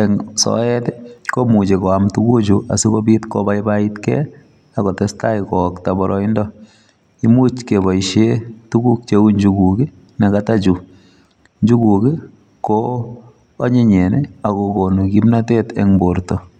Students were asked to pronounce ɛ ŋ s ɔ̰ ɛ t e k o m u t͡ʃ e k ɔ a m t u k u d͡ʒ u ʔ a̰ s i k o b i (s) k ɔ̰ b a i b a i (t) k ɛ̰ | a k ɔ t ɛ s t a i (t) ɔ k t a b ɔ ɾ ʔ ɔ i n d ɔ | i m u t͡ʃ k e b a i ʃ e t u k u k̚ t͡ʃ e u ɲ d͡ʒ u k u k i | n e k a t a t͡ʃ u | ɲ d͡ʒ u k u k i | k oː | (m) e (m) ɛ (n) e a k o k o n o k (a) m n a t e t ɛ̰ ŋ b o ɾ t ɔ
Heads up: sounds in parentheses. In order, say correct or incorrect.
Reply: incorrect: t, correct, incorrect: k, incorrect: ɲ, incorrect: ɲ, correct, incorrect: i

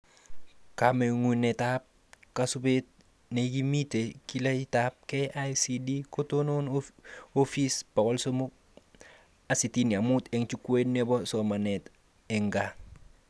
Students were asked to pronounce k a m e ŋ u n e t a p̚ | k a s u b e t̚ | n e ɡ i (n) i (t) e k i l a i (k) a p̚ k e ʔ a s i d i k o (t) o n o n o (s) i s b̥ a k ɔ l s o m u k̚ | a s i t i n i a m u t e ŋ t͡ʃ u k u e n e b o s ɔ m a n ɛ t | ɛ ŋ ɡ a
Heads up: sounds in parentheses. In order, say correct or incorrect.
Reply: incorrect: m, correct, incorrect: t, correct, incorrect: f

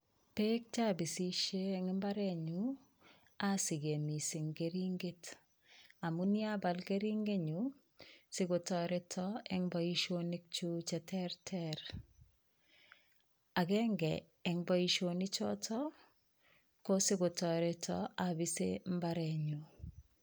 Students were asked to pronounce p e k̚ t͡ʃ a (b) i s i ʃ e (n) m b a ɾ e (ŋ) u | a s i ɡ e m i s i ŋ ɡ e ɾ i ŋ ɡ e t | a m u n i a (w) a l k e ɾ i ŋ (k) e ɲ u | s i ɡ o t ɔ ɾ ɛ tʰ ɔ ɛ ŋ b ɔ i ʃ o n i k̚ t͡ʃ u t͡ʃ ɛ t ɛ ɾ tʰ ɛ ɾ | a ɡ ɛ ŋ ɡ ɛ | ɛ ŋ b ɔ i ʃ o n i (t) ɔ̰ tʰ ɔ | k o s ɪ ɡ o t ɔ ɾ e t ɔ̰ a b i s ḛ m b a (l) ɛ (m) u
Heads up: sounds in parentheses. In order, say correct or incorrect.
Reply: correct, incorrect: ŋ, incorrect: ɲ, incorrect: b, incorrect: ɡ, incorrect: t͡ʃ, incorrect: ɾ, incorrect: ɲ

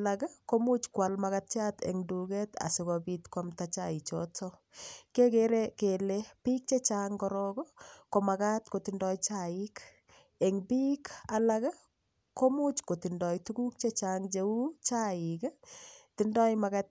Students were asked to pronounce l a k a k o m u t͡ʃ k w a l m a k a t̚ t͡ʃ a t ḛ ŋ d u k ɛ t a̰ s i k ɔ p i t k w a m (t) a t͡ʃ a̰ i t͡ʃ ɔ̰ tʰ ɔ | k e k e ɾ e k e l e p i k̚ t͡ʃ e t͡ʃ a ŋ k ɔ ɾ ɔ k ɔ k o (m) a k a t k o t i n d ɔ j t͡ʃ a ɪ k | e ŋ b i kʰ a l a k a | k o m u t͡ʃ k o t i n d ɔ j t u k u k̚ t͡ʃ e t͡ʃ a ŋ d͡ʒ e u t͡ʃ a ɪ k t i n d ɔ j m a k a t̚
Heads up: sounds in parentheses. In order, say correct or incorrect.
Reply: correct, correct

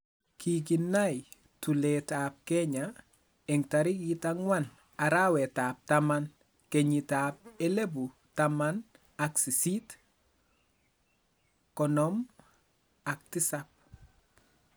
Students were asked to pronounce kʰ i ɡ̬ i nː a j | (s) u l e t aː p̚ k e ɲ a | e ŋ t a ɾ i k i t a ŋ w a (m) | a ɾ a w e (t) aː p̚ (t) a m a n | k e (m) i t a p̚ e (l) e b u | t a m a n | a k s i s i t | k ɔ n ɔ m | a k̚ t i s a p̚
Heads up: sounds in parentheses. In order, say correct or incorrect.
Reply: incorrect: t, incorrect: n, correct, correct, incorrect: ɲ, correct

